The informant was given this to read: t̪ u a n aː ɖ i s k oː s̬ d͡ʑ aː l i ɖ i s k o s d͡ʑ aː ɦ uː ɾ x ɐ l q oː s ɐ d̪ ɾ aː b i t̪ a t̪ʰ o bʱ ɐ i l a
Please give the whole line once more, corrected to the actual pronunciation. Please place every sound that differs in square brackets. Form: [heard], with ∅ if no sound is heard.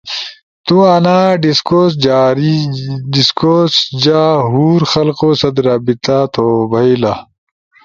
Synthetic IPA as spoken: t̪ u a n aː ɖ i s k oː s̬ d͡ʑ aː [ɾ] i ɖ i s k o s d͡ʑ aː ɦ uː ɾ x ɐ l q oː s ɐ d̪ ɾ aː b i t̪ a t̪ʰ o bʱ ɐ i l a